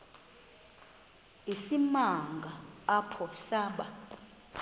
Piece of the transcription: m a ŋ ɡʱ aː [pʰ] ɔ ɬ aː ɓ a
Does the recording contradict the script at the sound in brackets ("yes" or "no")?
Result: no